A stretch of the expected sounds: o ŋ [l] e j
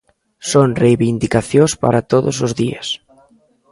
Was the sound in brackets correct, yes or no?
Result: no